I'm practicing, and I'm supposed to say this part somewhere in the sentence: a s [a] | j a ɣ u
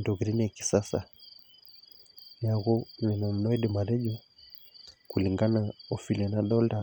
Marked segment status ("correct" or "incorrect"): correct